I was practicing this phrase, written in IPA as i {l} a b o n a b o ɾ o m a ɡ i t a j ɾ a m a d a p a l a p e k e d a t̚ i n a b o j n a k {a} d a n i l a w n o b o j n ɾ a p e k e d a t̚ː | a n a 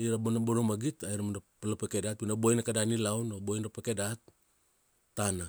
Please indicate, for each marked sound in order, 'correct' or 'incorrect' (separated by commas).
incorrect, correct